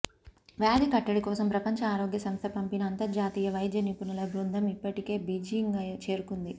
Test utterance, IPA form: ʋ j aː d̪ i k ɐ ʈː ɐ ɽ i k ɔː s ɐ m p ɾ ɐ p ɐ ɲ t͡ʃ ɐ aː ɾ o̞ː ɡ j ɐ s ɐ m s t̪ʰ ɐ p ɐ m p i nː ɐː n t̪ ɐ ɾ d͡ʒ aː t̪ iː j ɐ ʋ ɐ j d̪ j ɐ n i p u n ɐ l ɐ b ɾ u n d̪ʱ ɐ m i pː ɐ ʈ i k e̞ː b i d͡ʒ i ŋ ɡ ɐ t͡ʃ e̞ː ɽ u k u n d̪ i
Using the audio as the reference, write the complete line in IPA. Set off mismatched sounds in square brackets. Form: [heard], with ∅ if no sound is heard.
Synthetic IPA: ʋ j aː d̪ i k ɐ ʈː ɐ ɽ i k ɔː s ɐ m p ɾ ɐ p ɐ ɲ t͡ʃ ɐ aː ɾ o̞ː ɡ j ɐ s ɐ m s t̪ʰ ɐ p ɐ m p i [n] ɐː n t̪ ɐ ɾ d͡ʒ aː t̪ iː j ɐ ʋ ɐ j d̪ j ɐ n i p u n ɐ l ɐ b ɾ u n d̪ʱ ɐ m i pː ɐ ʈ i k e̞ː b i d͡ʒ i ŋ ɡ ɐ t͡ʃ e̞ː [ɾ] u k u n d̪ i